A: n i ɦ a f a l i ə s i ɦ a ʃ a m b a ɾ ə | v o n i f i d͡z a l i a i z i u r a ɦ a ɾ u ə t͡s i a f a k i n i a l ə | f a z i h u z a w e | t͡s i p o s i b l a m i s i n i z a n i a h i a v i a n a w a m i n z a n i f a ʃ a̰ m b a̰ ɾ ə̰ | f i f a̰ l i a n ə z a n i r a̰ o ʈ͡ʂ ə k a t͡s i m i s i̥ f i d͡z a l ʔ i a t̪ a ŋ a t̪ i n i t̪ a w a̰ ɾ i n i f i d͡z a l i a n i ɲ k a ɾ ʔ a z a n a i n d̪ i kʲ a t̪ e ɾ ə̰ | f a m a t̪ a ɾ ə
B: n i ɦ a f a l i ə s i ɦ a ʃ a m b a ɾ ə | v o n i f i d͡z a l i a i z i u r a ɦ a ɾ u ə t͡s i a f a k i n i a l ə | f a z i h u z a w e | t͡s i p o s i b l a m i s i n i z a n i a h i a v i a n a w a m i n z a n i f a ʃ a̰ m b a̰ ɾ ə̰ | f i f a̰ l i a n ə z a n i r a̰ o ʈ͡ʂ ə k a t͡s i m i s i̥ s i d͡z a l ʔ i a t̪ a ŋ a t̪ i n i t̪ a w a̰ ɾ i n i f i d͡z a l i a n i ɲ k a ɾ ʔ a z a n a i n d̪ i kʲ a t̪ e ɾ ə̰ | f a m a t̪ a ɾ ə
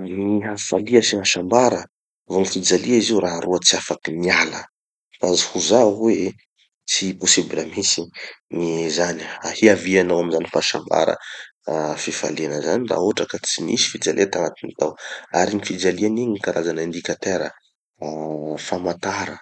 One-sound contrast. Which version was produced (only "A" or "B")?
A